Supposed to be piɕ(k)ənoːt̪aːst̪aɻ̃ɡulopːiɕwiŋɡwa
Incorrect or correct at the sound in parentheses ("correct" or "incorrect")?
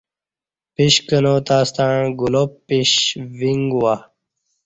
correct